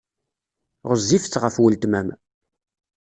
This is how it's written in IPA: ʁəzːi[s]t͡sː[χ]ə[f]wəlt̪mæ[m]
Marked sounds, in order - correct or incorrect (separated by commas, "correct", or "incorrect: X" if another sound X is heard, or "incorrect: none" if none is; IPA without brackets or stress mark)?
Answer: incorrect: f, incorrect: ʁ, correct, correct